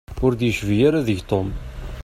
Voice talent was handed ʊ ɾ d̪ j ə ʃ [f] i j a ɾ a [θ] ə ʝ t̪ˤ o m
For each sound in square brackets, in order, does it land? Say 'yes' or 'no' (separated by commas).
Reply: no, no